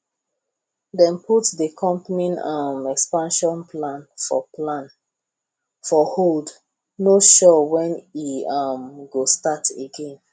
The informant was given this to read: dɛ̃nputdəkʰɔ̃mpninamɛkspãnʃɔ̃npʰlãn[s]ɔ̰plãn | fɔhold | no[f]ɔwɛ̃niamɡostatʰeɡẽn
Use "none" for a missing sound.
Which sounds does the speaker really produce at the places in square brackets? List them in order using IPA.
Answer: f, ʃ

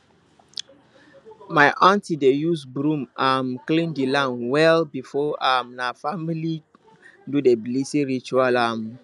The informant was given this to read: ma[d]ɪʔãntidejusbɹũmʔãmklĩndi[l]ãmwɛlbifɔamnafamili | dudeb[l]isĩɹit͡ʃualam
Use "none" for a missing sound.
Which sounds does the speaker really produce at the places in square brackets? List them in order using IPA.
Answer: none, l, l

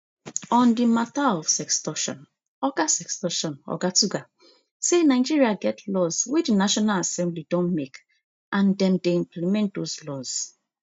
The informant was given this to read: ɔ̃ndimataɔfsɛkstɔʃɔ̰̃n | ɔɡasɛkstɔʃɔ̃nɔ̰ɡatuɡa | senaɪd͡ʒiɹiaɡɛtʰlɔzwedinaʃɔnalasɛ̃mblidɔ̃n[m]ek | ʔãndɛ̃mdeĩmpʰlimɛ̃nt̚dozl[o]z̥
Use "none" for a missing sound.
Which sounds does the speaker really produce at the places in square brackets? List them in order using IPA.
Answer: m, ɔ

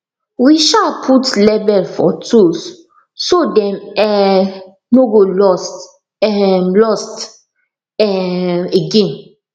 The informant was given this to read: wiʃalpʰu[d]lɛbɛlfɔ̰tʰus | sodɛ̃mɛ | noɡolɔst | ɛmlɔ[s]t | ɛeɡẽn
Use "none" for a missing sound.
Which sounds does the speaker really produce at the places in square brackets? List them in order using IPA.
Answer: t, s

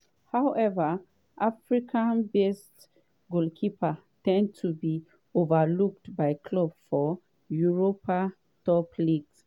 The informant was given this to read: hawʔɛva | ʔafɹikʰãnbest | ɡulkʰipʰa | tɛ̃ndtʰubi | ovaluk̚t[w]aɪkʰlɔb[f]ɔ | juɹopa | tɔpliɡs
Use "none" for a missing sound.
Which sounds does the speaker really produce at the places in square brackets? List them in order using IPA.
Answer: b, f

